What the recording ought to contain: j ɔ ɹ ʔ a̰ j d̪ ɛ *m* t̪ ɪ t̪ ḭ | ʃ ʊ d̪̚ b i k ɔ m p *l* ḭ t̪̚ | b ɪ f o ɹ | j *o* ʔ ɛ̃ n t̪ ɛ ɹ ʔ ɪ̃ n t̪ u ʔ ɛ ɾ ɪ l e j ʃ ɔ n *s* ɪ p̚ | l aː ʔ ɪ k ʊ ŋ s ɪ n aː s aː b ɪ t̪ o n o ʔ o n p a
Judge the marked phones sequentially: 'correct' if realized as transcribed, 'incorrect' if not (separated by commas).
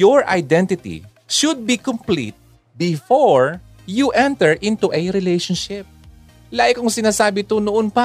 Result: incorrect, correct, incorrect, incorrect